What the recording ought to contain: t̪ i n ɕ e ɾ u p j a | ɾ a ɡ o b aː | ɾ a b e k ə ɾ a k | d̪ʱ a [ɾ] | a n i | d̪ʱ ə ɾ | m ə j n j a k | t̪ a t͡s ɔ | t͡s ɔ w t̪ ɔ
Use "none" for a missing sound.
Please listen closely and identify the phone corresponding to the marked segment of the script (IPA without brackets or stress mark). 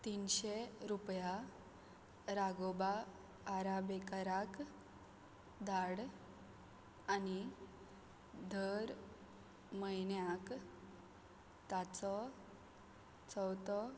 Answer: ɽ